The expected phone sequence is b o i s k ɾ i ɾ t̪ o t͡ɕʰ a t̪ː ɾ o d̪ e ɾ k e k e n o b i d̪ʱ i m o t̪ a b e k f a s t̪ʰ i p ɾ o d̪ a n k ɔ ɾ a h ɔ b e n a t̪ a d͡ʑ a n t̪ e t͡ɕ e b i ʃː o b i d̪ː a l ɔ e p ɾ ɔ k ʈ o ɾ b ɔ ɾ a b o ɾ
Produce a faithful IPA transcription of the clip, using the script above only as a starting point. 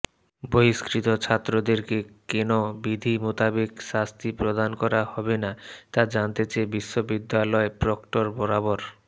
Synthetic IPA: b o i s k ɾ i t̪ o t͡ɕʰ a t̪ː ɾ o d̪ e ɾ k e k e n o b i d̪ʱ i m o t̪ a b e k ʃ a s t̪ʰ i p ɾ o d̪ a n k ɔ ɾ a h ɔ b e n a t̪ a d͡ʑ a n t̪ e t͡ɕ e b i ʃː o b i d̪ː a l ɔ e p ɾ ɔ k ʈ o ɾ b ɔ ɾ a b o ɾ